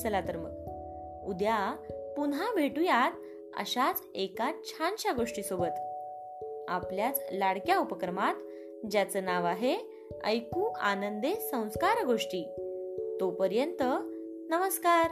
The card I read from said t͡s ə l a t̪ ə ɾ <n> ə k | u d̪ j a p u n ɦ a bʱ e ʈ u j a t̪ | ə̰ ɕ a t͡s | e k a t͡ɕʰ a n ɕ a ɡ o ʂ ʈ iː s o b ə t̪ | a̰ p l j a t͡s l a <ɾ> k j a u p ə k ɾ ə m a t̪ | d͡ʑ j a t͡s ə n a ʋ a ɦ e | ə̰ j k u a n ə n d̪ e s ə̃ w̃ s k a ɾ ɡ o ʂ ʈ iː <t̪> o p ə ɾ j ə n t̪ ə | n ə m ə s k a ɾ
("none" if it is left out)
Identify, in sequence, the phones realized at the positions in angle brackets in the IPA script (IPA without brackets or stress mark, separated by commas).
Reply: m, ɽ, t̪